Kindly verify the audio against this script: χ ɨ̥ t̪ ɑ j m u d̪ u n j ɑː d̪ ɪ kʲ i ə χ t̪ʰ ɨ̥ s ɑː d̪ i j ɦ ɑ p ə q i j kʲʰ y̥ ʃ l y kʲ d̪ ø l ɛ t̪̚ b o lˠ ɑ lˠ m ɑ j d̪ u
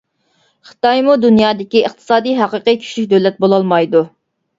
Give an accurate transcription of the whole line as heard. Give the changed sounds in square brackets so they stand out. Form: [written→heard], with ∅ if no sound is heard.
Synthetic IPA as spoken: χ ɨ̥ t̪ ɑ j m u d̪ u n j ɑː d̪ ɪ kʲ i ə χ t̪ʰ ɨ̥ s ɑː d̪ i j ɦ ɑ [p→q] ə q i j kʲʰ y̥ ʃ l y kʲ d̪ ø l ɛ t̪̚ b o lˠ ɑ lˠ m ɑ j d̪ u